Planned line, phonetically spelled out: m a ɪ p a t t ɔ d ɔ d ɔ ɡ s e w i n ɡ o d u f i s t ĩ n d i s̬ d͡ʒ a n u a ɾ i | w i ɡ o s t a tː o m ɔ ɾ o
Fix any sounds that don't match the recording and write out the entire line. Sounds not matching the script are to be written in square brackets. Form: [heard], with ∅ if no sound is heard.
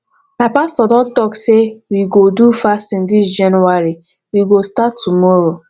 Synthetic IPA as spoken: m a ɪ p a [s] t ɔ d ɔ d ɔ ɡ s e w i [∅] ɡ o d u f [a] s t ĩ n d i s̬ d͡ʒ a n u a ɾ i | w i ɡ o s t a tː [u] m ɔ ɾ o

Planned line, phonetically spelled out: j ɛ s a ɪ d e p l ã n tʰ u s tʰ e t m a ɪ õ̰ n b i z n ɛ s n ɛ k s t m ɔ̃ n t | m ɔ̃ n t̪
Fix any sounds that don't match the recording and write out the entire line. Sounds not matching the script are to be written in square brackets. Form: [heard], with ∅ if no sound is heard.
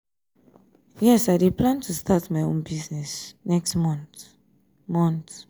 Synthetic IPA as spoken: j ɛ s a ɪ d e p l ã n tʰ u s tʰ [a] t m a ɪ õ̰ n b i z n ɛ s n ɛ k s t m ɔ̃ n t | m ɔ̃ n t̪

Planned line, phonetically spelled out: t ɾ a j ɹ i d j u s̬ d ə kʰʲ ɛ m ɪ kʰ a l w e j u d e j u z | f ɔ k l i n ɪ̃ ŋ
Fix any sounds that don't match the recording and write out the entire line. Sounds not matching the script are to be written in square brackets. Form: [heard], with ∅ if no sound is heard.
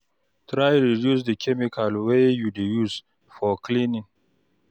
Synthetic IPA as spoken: t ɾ a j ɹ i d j u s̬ d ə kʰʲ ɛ m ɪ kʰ a l w e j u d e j u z | f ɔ k l i n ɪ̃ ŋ

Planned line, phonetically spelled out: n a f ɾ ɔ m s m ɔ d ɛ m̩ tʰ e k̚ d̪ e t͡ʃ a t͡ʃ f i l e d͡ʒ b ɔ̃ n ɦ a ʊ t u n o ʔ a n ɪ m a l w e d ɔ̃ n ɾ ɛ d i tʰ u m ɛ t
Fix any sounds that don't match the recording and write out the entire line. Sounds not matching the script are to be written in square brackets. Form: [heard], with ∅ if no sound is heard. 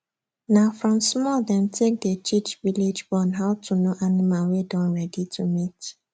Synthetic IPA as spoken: n a f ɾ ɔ m s m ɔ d ɛ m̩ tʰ e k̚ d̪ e t͡ʃ [i] t͡ʃ [v] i l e d͡ʒ b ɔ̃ n ɦ a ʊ t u n o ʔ a n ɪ m a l w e d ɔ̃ n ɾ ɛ d i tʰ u m [i] t

